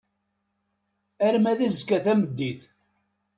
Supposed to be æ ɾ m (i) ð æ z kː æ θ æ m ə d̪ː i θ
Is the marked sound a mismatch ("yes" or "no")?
yes